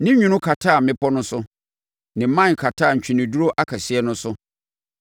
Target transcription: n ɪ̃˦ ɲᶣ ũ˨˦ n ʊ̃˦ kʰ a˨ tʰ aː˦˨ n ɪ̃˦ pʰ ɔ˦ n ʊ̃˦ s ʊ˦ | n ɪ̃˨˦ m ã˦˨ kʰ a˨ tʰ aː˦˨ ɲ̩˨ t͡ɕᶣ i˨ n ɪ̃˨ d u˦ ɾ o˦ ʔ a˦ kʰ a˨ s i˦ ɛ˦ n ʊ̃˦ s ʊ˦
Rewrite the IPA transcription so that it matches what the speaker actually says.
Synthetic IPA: n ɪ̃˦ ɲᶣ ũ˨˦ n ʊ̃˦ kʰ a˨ tʰ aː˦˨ m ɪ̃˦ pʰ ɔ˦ n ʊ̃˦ s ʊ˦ | n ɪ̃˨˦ m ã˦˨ kʰ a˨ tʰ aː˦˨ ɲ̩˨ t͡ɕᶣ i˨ n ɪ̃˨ d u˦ ɾ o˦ ʔ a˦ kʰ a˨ s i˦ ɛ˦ n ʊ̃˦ s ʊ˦